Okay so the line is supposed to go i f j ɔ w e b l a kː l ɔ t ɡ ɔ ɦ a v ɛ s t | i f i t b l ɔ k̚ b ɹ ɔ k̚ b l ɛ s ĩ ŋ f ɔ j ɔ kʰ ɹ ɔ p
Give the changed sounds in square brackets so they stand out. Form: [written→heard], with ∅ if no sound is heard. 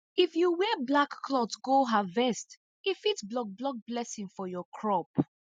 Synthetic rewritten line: i f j [ɔ→u] w [e→ɛ] b l a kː l ɔ t ɡ [ɔ→o] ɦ a v ɛ s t | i f i t b l ɔ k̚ b [ɹ→l] ɔ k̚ b l ɛ s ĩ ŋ f ɔ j ɔ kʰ ɹ ɔ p